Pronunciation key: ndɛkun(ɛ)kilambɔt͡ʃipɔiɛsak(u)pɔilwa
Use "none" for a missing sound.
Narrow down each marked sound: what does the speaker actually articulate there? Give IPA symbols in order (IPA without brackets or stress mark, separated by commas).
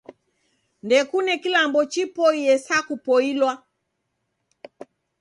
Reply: ɛ, u